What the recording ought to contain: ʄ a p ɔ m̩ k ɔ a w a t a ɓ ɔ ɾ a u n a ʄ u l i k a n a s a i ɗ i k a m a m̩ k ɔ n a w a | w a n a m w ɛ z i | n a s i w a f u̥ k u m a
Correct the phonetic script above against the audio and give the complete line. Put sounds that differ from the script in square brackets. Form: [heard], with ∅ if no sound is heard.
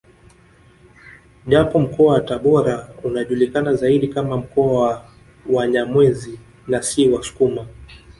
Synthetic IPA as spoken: ʄ a p ɔ m̩ k ɔ a w a t a ɓ ɔ ɾ a u n a ʄ u l i k a n a [z] a i ɗ i k a m a m̩ k ɔ [∅] a w a | w a [ɲ] a m w ɛ z i | n a s i w a [s] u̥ k u m a